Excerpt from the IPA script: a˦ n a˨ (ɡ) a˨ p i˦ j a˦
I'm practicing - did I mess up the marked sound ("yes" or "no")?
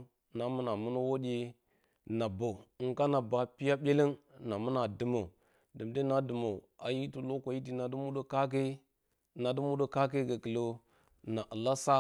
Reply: yes